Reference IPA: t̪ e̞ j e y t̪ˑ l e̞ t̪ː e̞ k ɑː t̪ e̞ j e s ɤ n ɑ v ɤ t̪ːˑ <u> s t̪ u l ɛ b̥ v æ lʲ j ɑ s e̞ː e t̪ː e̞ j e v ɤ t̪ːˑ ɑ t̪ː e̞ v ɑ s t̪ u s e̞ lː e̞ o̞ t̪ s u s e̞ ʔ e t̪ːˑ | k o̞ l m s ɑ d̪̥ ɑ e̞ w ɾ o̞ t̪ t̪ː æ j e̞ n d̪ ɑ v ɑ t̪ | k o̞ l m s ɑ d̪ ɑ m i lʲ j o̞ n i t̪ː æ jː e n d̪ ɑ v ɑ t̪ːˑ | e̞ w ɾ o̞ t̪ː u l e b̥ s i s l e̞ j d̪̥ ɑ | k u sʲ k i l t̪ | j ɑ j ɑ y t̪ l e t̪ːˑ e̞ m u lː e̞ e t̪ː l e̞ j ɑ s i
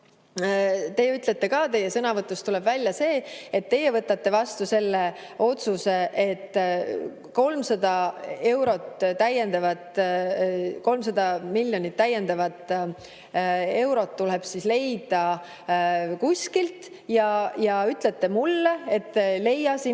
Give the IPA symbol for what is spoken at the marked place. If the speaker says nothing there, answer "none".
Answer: u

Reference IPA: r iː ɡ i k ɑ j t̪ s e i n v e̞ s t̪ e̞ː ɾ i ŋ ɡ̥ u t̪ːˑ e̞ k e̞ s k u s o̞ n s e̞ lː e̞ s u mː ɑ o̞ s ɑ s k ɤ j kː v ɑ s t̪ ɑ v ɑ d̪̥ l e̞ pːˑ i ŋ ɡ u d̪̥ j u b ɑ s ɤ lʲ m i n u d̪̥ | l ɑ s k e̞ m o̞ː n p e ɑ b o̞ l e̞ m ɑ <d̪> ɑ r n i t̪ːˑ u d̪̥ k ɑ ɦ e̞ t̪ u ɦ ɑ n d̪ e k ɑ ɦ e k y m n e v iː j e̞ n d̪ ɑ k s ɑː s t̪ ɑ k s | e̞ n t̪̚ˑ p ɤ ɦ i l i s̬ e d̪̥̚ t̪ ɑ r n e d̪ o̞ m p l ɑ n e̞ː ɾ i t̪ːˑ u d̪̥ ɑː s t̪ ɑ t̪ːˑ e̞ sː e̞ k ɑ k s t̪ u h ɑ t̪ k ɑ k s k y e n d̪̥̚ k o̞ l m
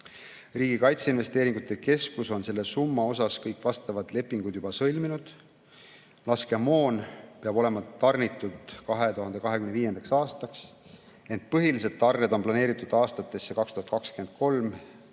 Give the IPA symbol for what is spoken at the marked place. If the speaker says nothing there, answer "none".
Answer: t̪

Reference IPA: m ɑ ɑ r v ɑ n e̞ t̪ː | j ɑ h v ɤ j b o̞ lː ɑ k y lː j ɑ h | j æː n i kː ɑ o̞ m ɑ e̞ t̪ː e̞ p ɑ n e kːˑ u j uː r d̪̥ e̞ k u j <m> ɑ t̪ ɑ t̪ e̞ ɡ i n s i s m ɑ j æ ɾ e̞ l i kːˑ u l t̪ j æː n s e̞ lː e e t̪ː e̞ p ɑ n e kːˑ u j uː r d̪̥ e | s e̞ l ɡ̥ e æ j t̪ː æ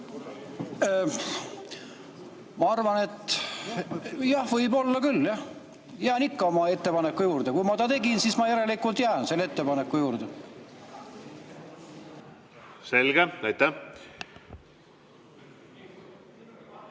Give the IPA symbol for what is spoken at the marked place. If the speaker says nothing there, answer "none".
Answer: m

